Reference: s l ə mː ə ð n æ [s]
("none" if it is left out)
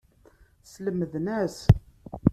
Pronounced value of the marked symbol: s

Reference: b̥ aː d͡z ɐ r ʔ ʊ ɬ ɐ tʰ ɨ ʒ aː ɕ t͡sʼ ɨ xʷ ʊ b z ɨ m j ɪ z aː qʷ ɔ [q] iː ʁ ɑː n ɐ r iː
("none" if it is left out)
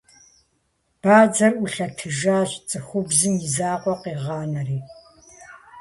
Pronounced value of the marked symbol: q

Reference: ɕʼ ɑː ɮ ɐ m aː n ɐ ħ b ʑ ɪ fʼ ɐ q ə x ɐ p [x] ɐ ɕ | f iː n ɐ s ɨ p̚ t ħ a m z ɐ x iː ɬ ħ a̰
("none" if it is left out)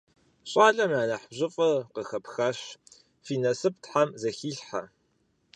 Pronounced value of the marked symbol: x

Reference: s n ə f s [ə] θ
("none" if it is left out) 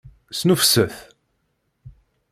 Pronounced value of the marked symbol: ə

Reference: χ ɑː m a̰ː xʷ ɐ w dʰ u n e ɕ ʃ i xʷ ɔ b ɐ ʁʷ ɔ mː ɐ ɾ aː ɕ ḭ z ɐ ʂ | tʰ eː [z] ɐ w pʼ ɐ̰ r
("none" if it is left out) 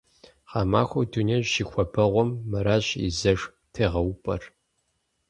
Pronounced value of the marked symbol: ʁ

